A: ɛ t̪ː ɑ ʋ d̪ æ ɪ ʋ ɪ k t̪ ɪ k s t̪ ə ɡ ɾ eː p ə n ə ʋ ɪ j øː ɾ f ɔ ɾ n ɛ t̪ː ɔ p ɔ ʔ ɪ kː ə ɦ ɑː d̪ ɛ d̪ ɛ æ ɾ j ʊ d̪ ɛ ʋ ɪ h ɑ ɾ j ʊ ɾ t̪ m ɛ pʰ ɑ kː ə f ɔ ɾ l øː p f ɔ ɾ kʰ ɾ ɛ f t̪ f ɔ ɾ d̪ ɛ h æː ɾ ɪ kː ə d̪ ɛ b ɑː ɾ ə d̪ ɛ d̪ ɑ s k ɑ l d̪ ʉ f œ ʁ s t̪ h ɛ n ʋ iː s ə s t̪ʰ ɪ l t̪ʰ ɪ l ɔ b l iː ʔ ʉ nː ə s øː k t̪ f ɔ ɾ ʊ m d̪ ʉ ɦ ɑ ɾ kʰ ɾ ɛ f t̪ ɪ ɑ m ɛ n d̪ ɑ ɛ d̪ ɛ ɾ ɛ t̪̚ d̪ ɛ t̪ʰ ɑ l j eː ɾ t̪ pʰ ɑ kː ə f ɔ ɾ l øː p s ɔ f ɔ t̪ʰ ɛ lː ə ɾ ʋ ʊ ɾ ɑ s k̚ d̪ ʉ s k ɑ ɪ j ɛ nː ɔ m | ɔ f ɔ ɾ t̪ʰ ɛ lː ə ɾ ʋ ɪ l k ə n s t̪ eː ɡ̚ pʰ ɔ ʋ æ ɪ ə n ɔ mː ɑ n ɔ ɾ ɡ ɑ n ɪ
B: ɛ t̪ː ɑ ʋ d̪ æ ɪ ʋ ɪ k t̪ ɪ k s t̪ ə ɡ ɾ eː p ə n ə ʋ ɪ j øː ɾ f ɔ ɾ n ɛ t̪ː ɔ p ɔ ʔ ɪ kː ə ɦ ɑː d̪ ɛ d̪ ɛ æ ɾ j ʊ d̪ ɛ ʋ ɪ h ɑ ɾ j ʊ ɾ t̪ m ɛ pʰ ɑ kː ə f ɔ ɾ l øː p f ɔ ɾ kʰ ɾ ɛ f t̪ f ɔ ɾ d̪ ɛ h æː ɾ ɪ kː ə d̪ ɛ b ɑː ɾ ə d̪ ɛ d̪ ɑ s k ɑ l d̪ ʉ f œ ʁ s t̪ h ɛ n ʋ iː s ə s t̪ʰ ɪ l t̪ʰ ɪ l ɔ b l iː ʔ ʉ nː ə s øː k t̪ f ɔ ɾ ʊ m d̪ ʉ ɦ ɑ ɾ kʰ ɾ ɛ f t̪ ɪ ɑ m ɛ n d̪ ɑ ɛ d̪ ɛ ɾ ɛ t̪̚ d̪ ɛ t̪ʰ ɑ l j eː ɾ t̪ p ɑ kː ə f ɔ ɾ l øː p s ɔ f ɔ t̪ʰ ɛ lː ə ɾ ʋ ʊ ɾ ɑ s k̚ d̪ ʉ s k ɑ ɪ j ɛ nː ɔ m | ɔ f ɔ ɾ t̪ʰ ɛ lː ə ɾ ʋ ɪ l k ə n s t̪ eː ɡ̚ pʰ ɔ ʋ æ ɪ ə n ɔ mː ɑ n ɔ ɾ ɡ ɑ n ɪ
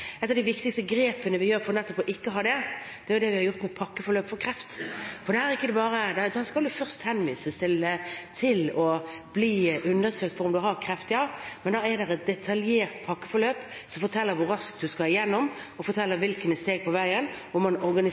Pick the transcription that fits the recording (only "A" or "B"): A